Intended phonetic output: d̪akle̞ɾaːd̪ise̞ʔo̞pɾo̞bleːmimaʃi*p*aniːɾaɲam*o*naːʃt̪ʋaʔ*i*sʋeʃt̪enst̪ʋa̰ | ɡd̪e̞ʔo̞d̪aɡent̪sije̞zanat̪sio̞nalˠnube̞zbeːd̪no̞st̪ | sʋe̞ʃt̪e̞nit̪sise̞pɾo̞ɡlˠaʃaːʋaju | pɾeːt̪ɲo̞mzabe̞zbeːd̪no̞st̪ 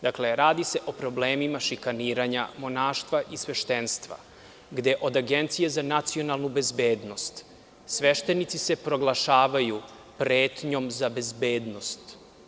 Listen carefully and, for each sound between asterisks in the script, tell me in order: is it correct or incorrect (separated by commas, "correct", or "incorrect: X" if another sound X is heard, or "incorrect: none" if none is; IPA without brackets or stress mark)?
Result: incorrect: k, correct, correct